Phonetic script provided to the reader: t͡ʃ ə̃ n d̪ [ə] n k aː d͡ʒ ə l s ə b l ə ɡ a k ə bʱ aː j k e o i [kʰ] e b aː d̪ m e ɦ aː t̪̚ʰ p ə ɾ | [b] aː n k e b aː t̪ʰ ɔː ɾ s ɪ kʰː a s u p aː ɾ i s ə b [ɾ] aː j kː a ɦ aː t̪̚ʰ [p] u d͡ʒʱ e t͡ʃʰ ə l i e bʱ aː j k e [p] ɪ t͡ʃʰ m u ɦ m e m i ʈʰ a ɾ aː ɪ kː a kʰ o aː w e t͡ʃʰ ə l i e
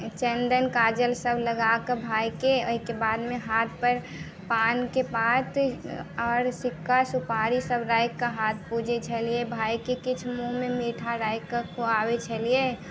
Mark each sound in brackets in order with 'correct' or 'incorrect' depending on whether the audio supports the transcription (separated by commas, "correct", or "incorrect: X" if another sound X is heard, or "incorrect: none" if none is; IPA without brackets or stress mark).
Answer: correct, incorrect: k, incorrect: p, correct, correct, incorrect: k